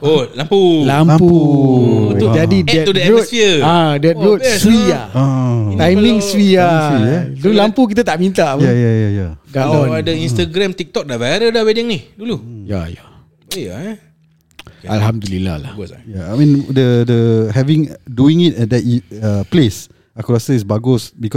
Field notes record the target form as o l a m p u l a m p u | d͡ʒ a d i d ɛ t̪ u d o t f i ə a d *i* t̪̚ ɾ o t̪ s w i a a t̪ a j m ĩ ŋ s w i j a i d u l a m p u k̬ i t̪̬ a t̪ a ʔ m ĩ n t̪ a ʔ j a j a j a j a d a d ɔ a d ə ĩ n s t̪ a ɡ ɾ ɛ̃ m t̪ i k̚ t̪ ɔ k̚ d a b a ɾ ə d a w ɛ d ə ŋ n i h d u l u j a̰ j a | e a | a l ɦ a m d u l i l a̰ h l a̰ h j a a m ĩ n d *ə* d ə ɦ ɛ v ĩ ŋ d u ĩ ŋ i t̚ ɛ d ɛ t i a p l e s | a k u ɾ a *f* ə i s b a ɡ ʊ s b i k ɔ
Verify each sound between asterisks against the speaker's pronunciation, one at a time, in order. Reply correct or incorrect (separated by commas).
incorrect, correct, incorrect